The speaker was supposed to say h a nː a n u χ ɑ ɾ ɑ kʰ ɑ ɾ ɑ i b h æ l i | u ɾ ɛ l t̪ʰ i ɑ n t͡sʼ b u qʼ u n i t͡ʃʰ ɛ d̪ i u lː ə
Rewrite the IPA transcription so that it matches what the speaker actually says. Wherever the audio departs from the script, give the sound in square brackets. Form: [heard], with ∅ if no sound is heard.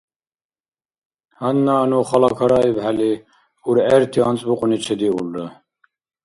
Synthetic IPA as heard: h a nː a n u χ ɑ [l] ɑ kʰ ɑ ɾ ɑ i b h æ l i | u ɾ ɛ [ɾ] t̪ʰ i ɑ n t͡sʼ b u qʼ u n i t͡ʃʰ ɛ d̪ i u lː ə